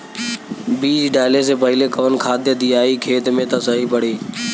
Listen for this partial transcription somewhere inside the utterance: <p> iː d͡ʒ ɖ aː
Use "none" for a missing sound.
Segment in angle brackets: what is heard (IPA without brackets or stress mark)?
b